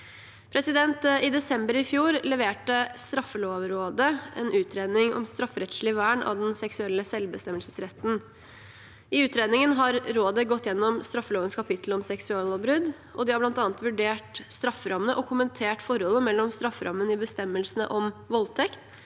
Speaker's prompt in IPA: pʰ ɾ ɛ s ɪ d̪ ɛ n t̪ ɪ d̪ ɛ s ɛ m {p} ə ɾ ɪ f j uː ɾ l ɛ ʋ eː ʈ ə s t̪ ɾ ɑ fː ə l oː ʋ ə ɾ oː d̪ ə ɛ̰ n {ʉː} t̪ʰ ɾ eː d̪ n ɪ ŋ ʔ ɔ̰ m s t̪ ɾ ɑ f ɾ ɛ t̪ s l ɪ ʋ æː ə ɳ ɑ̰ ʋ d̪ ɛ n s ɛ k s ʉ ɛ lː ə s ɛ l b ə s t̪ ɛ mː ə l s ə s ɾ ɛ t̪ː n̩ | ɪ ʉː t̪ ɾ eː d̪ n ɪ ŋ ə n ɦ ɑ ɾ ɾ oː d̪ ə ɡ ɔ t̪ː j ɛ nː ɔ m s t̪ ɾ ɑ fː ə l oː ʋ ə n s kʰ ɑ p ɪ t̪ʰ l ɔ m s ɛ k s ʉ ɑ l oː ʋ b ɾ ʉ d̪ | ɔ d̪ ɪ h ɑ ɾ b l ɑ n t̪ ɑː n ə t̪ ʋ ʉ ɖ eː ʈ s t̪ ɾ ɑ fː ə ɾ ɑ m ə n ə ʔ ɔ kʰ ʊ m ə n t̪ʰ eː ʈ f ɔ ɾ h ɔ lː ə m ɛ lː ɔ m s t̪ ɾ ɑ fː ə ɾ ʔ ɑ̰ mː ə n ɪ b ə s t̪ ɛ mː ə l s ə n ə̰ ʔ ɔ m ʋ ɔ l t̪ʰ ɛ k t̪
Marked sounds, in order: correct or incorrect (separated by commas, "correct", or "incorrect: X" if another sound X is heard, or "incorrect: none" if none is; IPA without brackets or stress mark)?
incorrect: b, correct